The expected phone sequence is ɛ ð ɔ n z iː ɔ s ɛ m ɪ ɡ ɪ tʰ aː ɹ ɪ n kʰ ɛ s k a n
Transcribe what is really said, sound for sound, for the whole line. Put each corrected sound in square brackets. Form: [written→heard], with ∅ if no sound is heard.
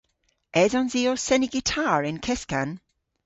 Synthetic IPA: ɛ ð ɔ n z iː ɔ s ɛ [m→n] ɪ ɡ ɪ tʰ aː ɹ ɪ n kʰ ɛ s k a n